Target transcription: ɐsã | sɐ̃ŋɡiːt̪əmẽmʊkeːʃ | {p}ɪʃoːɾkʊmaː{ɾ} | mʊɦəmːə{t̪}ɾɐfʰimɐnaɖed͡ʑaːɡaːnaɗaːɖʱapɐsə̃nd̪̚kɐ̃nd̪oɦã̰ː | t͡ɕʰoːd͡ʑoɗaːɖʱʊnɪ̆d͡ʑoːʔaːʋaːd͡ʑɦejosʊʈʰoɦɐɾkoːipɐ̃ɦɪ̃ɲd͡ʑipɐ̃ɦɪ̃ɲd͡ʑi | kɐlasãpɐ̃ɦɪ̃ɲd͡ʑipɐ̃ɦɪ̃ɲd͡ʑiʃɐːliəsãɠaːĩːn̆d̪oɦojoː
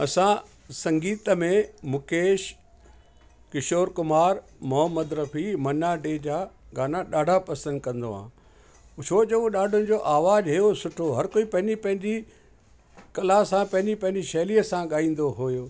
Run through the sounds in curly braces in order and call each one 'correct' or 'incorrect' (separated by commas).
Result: incorrect, correct, incorrect